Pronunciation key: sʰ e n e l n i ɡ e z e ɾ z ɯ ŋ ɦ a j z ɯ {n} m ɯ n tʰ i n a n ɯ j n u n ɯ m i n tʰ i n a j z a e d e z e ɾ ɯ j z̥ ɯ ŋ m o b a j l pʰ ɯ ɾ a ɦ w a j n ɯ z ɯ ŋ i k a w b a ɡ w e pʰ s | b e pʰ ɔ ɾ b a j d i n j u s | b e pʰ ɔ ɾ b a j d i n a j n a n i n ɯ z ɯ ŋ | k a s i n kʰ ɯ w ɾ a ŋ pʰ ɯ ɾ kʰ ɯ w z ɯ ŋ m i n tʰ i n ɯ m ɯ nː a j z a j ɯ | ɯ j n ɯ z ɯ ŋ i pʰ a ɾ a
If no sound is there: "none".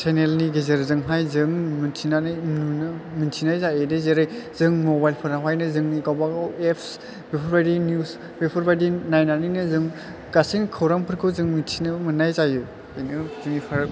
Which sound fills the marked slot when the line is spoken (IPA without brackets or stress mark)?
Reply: ŋ